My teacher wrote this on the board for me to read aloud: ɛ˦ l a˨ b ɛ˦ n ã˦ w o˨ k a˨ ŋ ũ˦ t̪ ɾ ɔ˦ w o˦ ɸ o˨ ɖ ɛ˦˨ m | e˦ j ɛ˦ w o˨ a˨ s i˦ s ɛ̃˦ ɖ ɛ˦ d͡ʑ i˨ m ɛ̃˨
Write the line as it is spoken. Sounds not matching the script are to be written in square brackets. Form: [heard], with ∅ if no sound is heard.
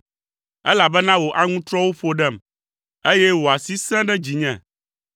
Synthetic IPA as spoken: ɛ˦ l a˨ b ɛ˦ n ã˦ w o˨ [ʔ] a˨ ŋ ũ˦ t̪ ɾ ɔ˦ w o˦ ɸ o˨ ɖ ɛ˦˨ m | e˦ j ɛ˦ w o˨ a˨ s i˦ s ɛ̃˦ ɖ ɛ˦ d͡ʑ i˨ [ɲ] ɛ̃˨